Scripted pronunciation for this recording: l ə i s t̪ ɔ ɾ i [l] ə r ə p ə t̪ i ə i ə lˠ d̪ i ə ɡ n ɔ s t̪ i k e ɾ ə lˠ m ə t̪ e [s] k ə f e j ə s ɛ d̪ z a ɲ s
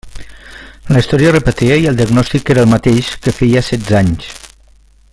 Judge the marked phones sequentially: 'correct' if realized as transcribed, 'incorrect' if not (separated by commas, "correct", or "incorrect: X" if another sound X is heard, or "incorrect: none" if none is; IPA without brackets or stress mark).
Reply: incorrect: none, incorrect: ʃ